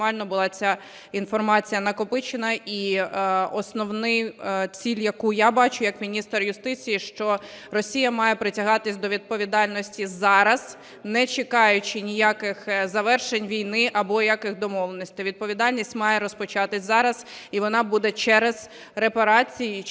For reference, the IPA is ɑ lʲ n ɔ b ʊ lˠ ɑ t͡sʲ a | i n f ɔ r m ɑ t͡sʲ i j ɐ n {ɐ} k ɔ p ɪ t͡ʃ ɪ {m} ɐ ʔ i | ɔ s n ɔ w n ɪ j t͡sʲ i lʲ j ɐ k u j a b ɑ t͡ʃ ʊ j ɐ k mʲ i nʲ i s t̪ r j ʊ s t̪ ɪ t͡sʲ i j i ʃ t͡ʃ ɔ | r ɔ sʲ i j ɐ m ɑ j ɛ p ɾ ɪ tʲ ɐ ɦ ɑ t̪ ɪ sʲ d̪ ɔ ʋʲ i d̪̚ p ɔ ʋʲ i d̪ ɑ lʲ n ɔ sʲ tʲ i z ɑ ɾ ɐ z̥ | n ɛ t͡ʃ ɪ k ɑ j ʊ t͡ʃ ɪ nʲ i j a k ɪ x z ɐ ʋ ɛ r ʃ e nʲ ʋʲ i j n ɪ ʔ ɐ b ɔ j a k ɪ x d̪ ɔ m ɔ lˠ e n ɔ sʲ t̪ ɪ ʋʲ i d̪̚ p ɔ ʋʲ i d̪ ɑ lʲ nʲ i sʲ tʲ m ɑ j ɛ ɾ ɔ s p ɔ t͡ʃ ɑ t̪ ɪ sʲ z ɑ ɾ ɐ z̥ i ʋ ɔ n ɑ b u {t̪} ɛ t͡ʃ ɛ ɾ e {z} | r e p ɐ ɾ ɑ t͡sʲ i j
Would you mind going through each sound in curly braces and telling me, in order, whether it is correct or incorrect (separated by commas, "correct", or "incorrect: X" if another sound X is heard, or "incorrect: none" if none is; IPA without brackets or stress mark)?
correct, incorrect: n, incorrect: d̪, correct